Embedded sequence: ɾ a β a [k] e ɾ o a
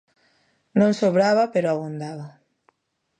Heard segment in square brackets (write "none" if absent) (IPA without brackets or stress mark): p